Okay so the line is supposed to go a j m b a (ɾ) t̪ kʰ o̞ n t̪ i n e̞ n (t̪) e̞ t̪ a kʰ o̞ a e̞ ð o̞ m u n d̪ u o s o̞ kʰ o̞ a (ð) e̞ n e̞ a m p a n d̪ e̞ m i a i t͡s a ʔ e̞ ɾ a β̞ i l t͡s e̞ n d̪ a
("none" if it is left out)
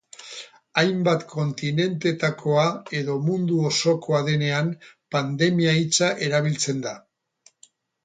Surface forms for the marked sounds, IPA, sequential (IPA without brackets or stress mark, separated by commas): none, t̪, ð